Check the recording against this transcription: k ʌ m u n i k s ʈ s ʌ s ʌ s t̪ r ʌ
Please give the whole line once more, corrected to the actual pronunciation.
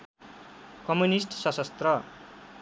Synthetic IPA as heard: k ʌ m u n i s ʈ s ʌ s ʌ s t̪ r ʌ